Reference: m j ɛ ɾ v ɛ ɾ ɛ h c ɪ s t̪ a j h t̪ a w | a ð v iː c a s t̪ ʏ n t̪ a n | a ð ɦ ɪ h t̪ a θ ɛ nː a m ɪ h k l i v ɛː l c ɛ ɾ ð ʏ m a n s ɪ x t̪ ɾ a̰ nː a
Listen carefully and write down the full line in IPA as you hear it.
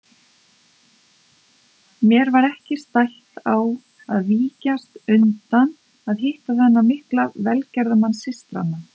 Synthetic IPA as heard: m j ɛ ɾ v a ɾ ɛ h c ɪ s t̪ a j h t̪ a w | a ð v iː c a s t̪ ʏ n t̪ a n | a ð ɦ ɪ h t̪ a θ ɛ nː a m ɪ h k l a v ɛ l c ɛ ɾ ð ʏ m a n s ɪ s t̪ ɾ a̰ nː a